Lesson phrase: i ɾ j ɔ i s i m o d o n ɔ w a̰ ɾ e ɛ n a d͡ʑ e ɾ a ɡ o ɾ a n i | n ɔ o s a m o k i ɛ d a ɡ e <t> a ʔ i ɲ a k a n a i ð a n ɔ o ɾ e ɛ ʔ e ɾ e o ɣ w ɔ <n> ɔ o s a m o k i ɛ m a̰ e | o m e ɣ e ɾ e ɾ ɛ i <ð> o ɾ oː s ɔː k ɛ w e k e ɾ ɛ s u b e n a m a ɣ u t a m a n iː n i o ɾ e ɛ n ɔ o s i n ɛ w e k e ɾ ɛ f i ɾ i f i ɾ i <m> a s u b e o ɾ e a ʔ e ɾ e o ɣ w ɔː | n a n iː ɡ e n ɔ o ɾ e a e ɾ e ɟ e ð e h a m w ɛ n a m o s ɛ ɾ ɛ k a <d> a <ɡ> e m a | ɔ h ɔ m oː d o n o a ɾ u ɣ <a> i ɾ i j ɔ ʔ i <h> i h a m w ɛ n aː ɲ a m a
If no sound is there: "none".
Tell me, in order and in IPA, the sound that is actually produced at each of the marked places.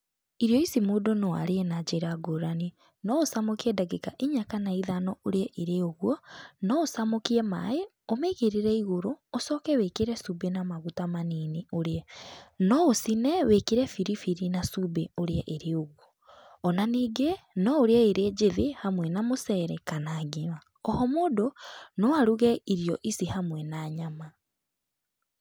k, n, ɣ, n, n, ɡ, ɛ, s

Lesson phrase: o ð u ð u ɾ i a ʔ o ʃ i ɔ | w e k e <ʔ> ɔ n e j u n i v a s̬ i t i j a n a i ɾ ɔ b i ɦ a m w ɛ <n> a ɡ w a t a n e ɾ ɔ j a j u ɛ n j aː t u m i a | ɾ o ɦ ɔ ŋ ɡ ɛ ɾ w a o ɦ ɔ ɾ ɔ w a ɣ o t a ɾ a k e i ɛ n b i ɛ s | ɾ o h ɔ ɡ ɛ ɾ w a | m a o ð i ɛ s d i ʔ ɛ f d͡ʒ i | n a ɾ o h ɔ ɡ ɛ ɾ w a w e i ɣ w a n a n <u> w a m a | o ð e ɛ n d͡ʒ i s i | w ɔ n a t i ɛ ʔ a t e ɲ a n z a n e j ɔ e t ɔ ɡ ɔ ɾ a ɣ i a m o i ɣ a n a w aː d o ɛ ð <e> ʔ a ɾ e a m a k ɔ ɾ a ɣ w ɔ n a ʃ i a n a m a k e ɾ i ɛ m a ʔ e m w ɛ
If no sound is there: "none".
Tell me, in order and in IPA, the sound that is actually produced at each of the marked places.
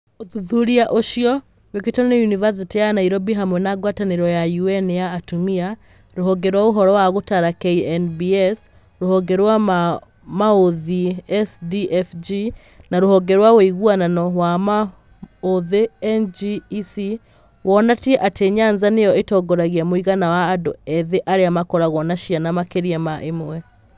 t, n, ɔ, e

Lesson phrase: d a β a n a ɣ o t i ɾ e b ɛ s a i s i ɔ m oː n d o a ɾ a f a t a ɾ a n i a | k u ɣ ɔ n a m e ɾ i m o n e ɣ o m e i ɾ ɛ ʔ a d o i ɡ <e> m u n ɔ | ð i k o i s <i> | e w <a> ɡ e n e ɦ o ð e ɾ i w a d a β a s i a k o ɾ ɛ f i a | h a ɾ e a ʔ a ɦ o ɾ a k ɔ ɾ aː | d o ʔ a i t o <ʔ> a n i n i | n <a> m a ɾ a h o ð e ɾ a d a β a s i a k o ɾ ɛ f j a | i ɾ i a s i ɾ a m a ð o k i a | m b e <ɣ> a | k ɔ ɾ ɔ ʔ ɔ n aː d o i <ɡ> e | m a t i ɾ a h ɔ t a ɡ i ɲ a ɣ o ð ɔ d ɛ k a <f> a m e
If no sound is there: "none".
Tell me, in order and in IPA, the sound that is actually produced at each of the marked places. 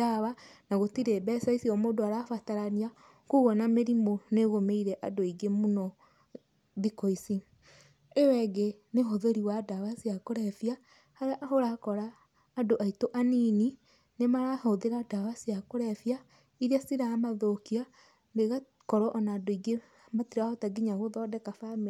e, i, ɛ, ʔ, e, ɣ, ɡ, f

